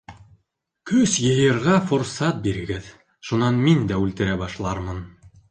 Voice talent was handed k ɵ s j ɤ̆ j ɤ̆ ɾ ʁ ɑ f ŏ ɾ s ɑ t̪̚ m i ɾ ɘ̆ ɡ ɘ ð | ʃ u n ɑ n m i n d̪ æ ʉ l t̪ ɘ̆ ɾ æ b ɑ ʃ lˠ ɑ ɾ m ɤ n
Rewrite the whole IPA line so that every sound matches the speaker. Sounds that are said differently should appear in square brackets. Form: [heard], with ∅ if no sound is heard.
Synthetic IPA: k ɵ s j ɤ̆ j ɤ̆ ɾ ʁ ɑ f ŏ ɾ s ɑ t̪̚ [b] i ɾ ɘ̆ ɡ ɘ ð | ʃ u n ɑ n m i n d̪ æ ʉ l t̪ ɘ̆ ɾ æ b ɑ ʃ lˠ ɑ ɾ m ɤ n